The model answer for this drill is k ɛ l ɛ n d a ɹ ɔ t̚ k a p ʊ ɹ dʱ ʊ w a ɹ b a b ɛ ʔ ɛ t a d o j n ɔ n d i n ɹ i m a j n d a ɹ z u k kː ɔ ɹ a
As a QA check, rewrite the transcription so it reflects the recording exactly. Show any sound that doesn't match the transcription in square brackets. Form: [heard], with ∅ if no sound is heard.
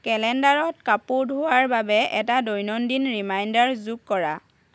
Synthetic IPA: k ɛ l ɛ n d a ɹ ɔ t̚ k a p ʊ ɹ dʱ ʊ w a ɹ b a b ɛ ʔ ɛ t a d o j n ɔ n d i n ɹ i m a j n d a ɹ z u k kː ɔ ɹ a